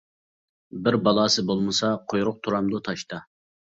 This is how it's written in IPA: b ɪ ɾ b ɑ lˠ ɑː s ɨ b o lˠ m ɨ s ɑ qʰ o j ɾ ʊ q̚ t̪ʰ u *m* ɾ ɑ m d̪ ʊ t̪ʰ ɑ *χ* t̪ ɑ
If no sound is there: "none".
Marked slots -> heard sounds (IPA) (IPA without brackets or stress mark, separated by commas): none, ʃ